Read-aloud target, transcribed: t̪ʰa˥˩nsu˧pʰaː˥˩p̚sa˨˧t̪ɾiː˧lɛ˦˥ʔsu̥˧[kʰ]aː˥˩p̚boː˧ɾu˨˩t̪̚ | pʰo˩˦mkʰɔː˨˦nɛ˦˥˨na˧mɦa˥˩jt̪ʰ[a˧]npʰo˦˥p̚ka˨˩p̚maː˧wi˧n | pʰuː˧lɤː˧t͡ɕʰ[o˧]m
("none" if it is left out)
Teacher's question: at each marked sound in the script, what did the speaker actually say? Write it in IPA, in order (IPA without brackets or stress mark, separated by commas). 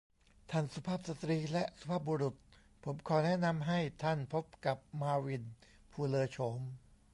pʰ, a˥˩, o˩˦